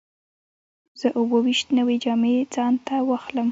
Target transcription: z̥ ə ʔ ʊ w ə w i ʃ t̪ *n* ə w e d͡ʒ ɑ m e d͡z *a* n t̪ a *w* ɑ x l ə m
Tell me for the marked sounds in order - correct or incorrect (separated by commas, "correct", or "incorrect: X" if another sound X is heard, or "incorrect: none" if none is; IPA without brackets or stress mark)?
correct, incorrect: ɑ, correct